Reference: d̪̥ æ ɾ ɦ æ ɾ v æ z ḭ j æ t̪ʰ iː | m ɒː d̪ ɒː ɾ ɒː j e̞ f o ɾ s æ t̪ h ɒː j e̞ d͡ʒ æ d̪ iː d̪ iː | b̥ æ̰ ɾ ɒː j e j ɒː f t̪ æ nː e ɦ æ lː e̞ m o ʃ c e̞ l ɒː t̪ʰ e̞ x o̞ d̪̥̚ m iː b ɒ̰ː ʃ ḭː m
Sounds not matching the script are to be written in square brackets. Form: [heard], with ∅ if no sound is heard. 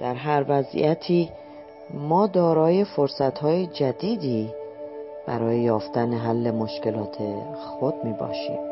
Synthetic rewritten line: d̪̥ æ ɾ ɦ æ ɾ v æ z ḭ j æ t̪ʰ iː | m ɒː d̪ ɒː ɾ ɒː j e̞ f o ɾ s æ t̪ h ɒː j e̞ d͡ʒ æ d̪ iː d̪ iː | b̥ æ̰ ɾ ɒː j e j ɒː f t̪ æ [n] e ɦ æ lː e̞ m o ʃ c e̞ l ɒː t̪ʰ e̞ x o̞ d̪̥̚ m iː b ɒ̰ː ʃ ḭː m